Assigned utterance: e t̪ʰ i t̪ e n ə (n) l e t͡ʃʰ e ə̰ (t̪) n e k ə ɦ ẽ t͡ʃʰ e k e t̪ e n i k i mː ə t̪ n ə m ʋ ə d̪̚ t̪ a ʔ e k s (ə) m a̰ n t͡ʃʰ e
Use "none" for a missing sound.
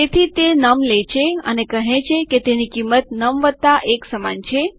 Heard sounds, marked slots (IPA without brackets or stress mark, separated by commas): m, none, ə